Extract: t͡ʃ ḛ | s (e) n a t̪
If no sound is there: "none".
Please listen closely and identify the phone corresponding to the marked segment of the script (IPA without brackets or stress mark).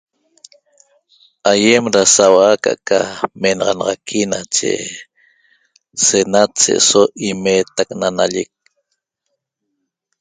e